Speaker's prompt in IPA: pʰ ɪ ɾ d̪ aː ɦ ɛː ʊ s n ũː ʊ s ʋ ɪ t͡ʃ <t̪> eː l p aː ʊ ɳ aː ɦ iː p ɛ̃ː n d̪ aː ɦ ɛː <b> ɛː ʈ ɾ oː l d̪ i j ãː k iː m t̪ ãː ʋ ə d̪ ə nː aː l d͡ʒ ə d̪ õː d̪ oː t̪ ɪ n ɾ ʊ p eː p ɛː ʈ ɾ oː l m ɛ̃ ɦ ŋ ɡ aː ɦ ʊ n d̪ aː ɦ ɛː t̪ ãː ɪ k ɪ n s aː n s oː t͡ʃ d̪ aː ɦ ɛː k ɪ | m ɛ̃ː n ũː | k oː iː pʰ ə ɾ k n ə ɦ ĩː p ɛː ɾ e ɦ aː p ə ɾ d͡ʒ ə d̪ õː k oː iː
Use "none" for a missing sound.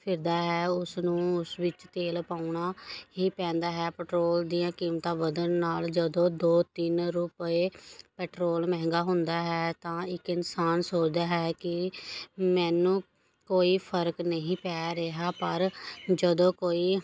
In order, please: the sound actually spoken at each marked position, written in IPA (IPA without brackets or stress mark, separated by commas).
t̪, p